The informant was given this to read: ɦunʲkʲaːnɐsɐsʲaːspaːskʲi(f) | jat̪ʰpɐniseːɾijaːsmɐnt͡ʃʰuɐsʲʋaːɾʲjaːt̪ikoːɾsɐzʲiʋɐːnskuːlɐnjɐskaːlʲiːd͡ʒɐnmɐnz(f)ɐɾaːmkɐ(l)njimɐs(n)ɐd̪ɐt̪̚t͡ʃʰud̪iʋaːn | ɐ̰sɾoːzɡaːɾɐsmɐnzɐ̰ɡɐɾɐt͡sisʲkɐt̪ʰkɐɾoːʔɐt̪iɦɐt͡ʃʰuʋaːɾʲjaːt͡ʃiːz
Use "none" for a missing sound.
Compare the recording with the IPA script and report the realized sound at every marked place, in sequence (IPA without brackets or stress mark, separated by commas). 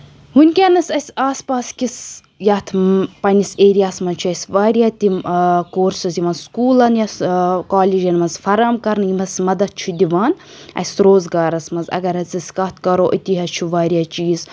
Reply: s, f, ɾ, m